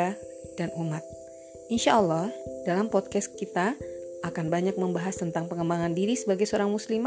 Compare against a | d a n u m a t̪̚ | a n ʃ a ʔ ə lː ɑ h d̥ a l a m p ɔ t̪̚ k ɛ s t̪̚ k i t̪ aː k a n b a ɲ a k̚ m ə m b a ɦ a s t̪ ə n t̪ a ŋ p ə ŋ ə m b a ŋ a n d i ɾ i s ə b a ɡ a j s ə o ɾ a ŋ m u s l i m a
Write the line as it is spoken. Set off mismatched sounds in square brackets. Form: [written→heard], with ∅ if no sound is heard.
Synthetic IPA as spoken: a | d a n u m a t̪̚ | [a→i] n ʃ a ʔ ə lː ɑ h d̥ a l a m p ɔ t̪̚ k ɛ s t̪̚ k i t̪ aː k a n b a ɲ a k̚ m ə m b a ɦ a s t̪ ə n t̪ a ŋ p ə ŋ ə m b a ŋ a n d i ɾ i s ə b a ɡ a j s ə o ɾ a ŋ m u s l i m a